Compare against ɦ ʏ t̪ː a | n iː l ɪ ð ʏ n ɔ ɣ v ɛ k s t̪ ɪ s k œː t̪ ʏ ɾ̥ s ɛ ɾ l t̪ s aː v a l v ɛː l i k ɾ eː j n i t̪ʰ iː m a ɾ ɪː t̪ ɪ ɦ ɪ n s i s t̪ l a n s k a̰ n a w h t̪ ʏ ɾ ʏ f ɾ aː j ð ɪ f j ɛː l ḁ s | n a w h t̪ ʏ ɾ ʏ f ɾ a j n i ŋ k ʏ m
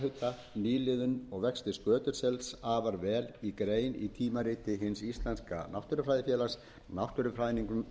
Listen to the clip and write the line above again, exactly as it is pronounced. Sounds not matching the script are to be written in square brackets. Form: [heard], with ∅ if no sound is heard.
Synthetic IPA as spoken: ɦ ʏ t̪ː a | n iː l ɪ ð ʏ n ɔ ɣ v ɛ k s t̪ ɪ s k œː t̪ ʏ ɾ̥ s ɛ [∅] l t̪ s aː v a [ɾ] v ɛː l i k ɾ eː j n i t̪ʰ iː m a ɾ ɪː t̪ ɪ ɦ ɪ n s i s t̪ l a n s k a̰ n a w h t̪ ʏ ɾ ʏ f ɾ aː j ð ɪ f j ɛː l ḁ s | n a w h t̪ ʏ ɾ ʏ f ɾ a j n i ŋ k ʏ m